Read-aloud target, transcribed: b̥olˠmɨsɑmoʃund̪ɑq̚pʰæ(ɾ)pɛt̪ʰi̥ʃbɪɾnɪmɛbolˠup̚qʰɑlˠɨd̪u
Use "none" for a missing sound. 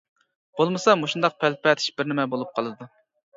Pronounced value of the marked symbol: l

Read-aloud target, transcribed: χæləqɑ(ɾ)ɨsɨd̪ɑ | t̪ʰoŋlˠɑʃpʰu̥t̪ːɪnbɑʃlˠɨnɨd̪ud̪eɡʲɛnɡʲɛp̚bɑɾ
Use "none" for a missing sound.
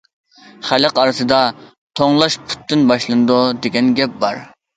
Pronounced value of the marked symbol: ɾ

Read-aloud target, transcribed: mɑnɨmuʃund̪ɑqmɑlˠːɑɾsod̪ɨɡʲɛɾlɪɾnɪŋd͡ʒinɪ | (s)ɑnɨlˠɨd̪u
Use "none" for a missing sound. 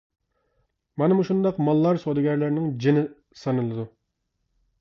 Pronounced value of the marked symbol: s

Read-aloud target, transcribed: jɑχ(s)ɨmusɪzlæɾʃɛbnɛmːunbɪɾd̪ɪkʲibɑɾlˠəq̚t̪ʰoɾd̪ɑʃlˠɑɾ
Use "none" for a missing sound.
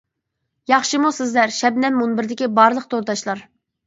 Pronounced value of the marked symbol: ʃ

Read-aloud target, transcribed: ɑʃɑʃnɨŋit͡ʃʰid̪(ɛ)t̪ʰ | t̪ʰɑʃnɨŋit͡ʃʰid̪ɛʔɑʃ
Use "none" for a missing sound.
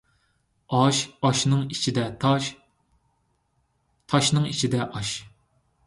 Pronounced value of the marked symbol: ɛ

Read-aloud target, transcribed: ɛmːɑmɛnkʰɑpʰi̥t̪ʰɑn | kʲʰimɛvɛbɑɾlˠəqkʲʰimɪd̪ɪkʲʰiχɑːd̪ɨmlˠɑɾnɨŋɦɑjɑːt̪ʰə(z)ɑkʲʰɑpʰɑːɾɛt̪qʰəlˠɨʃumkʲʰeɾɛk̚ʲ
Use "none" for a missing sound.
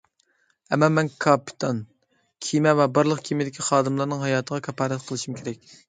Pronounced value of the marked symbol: ʁ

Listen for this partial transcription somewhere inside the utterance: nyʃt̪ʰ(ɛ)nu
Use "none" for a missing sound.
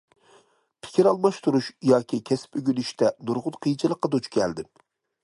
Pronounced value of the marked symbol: ɛ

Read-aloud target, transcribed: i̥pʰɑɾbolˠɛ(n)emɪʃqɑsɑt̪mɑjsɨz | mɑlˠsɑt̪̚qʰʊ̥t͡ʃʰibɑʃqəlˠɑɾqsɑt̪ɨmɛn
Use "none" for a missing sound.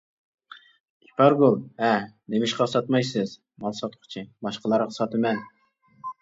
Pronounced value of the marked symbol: n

